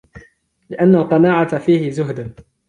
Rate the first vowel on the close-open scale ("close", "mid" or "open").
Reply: close